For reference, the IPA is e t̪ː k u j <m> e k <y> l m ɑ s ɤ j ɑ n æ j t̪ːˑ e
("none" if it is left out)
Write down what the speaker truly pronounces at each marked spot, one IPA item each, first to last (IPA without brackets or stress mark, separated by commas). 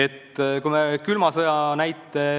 m, y